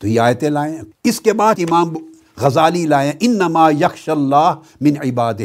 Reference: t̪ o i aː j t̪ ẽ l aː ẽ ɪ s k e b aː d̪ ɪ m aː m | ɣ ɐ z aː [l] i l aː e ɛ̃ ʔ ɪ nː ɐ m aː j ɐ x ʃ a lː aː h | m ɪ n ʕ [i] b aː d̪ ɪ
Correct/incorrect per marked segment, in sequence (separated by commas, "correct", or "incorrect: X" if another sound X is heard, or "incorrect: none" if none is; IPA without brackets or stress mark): correct, incorrect: ɪ